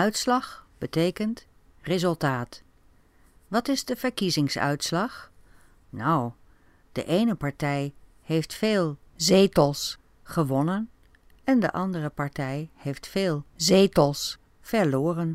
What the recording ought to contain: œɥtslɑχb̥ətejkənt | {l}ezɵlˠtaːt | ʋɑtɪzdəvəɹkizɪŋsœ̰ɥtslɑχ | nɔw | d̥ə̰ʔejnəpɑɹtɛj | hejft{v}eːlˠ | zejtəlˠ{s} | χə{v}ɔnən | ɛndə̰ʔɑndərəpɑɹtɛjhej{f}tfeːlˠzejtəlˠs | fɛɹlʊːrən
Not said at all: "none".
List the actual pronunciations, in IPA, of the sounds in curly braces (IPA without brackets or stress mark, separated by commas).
r, f, s, ʋ, f